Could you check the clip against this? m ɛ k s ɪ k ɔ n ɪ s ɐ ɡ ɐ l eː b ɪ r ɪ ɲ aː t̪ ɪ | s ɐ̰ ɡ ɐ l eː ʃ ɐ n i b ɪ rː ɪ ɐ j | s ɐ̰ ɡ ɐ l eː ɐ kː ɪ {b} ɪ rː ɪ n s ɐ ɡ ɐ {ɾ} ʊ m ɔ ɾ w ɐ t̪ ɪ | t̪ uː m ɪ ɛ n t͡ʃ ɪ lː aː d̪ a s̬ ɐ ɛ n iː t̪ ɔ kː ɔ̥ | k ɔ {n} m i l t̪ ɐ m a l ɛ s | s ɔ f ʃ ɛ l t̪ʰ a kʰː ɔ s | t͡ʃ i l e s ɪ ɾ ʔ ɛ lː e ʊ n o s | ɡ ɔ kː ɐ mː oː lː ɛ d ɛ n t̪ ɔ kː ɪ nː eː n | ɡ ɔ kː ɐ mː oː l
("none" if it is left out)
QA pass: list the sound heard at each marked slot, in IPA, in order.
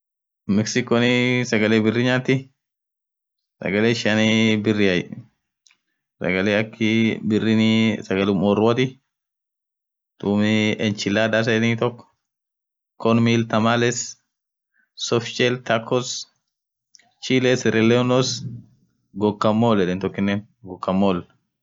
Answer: b, l, n

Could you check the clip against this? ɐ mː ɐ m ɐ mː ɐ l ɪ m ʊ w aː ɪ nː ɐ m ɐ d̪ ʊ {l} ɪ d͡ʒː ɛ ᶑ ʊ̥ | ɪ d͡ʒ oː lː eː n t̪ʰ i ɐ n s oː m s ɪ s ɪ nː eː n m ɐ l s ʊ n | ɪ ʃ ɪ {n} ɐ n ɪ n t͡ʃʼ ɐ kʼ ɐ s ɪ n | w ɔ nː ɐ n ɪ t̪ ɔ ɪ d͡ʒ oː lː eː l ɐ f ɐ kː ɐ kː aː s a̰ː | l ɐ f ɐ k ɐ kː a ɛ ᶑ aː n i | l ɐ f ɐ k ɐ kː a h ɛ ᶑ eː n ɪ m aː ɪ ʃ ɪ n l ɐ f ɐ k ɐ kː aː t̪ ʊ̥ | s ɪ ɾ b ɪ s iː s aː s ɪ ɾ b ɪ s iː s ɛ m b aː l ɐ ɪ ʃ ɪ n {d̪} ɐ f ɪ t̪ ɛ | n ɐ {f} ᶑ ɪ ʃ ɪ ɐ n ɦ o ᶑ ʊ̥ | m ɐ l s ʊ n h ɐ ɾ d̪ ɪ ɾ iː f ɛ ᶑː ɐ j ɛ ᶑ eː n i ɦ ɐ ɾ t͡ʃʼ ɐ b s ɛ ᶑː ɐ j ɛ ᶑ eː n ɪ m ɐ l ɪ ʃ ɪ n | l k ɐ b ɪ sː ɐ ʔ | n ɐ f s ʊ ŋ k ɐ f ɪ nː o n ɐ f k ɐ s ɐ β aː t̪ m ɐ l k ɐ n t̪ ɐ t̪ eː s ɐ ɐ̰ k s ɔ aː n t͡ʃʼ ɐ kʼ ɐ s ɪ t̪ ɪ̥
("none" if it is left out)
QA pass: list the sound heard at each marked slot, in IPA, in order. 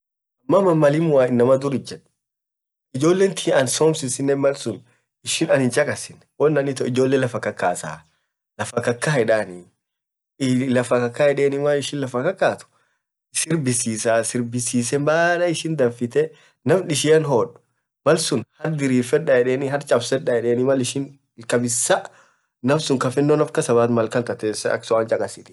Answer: ɾ, n, d̪, f

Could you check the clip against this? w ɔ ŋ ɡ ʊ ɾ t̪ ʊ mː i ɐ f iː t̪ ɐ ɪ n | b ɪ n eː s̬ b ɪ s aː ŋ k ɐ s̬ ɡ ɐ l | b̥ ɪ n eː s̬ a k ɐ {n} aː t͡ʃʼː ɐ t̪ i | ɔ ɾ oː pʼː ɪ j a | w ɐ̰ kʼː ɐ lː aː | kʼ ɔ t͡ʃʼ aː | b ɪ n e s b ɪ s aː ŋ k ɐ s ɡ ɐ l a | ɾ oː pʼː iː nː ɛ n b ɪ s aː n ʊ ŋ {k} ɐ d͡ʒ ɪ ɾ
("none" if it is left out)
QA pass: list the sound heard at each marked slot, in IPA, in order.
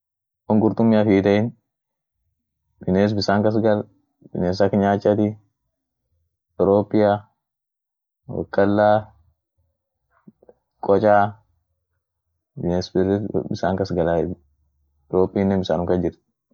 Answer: ɲ, k

